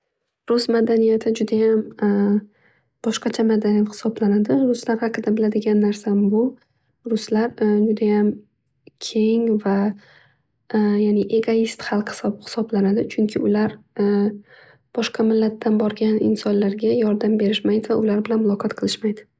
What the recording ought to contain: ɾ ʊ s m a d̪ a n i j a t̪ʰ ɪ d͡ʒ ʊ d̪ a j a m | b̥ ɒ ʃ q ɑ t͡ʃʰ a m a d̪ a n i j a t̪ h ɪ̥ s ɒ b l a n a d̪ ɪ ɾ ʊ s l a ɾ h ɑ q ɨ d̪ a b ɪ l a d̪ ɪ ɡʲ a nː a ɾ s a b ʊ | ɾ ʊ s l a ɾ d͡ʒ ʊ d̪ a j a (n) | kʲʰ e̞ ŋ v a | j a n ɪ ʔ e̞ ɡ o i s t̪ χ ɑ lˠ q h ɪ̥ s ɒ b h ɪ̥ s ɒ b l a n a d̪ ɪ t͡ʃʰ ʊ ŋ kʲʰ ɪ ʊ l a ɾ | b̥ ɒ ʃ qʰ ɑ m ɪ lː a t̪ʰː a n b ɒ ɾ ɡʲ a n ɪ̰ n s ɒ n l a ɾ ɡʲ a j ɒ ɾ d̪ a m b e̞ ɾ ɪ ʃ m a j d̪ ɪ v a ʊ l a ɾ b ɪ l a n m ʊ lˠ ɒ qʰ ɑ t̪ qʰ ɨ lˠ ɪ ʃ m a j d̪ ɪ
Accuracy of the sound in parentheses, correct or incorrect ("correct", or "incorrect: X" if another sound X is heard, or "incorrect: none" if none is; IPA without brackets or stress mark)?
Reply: incorrect: m